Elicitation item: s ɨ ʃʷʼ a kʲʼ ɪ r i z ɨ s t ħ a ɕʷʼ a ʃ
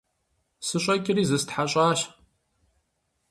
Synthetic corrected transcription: s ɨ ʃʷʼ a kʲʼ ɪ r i z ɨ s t ħ a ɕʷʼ a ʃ